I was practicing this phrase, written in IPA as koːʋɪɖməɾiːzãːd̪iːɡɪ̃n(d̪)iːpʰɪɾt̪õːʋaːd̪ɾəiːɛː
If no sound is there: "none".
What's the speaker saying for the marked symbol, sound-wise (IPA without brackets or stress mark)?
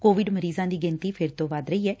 t̪